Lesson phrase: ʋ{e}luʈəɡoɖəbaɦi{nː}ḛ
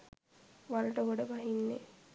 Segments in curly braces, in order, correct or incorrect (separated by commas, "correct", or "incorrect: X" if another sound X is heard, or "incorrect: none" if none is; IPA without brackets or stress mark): incorrect: a, correct